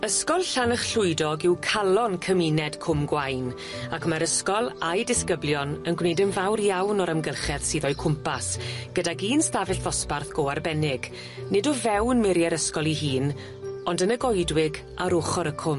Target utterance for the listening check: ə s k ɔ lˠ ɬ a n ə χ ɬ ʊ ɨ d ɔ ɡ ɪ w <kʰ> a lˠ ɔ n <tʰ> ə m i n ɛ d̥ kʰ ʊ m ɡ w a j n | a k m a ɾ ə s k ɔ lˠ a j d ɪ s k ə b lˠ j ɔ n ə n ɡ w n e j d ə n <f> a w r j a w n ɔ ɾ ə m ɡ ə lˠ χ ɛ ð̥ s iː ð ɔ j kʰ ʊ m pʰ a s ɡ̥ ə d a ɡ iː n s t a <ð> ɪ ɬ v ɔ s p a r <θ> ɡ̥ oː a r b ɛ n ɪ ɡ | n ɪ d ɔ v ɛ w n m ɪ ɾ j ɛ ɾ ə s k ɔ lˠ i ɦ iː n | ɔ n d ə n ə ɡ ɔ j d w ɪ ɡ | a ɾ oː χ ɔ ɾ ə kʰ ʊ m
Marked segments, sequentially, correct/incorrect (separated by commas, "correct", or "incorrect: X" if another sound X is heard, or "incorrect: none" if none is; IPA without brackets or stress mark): correct, incorrect: kʰ, incorrect: v, incorrect: v, correct